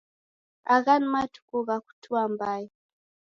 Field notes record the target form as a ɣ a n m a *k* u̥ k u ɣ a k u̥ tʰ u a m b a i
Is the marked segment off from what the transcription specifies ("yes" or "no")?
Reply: yes